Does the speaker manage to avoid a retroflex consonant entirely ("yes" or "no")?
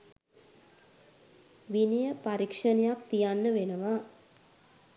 no